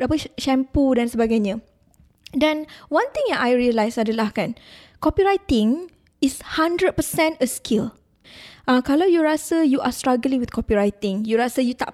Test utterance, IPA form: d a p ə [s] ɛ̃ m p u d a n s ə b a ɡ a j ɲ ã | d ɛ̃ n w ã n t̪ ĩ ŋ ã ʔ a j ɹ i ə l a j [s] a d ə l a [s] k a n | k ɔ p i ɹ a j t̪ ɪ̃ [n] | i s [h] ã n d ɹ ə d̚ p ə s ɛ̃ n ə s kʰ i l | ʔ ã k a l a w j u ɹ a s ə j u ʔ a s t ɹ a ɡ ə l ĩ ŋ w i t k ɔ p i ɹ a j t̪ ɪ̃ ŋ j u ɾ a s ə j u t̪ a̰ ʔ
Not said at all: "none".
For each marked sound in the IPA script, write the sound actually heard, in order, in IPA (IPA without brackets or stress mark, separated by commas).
ʃ, s, h, ŋ, h